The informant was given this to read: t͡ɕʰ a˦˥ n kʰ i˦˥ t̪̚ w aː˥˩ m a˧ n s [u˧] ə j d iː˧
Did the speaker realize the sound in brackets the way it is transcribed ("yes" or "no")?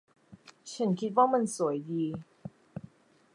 no